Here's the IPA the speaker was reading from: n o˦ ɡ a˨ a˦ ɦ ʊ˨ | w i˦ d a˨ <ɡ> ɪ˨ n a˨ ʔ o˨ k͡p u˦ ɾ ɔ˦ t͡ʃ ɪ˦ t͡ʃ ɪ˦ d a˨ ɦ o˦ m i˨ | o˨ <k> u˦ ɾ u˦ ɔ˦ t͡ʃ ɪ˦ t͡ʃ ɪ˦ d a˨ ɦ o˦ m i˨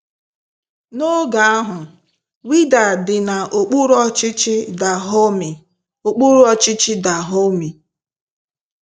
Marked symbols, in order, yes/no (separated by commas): no, no